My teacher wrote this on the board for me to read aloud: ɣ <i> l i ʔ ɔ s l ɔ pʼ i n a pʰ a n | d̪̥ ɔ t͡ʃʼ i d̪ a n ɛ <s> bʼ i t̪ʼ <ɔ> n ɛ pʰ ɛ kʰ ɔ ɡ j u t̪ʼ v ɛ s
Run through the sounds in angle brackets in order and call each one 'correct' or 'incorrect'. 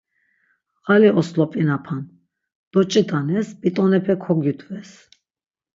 incorrect, correct, correct

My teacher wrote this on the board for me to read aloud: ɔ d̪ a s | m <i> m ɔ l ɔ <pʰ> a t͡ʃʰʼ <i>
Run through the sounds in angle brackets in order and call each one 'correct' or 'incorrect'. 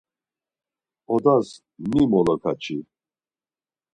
correct, incorrect, correct

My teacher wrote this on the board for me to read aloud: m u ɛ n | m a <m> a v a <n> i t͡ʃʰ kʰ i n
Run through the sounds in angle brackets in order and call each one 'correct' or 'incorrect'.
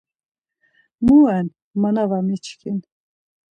incorrect, incorrect

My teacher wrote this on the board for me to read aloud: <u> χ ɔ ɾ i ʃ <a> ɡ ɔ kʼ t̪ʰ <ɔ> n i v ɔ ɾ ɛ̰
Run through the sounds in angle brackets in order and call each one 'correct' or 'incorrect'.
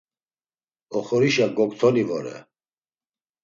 incorrect, correct, correct

